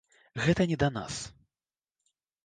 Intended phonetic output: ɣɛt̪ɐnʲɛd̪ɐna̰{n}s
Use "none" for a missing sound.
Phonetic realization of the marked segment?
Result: none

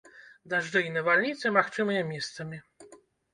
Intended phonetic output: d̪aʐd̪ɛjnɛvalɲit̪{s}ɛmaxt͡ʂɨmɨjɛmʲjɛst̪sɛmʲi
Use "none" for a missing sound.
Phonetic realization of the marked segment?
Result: s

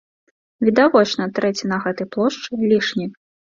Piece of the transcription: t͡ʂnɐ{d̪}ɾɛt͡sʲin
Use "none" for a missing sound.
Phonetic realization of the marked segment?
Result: t̪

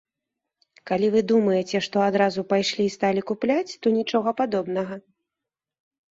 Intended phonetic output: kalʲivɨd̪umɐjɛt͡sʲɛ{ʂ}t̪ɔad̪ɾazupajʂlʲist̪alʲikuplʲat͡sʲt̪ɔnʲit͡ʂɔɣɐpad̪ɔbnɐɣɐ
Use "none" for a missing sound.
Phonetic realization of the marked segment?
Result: ʂ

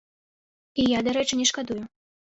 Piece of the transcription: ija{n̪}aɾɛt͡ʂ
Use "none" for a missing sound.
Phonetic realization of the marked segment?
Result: d̪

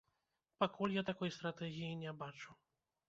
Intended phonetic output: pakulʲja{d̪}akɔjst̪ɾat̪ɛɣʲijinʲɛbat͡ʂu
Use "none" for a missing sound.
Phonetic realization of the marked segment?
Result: t̪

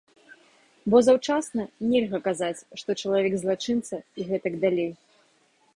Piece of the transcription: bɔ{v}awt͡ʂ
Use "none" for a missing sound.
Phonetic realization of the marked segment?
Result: z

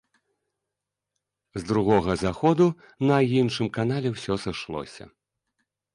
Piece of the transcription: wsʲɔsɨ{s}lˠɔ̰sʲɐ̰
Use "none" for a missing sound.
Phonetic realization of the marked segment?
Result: ʂ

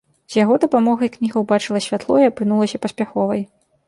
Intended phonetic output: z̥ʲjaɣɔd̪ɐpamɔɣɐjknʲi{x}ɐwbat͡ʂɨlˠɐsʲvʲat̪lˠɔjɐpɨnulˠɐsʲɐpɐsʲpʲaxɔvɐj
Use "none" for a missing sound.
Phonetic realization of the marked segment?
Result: ɣ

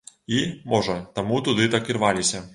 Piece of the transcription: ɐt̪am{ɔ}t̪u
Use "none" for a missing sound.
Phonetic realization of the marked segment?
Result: u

